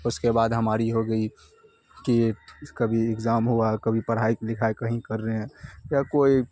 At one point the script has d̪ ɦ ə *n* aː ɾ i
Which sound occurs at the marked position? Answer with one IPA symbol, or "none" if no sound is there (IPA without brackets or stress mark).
m